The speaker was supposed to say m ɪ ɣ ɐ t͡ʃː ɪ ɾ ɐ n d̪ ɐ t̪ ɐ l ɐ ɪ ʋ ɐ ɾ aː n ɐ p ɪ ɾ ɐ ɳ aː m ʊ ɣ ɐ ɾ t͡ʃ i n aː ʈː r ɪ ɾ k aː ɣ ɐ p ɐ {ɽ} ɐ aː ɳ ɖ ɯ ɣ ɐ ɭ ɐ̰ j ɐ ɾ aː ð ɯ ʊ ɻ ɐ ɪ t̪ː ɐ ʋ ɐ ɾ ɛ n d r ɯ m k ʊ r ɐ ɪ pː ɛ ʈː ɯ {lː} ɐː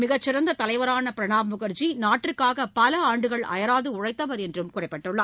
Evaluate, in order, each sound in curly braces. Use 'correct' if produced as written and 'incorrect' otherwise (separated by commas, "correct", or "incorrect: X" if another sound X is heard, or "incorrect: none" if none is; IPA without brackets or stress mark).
incorrect: l, incorrect: ɭː